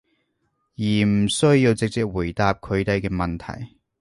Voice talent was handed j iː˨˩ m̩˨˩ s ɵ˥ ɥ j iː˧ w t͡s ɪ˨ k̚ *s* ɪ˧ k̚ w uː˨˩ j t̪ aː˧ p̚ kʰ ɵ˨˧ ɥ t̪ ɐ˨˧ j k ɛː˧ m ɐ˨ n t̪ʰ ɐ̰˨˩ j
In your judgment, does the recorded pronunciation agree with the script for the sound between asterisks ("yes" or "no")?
no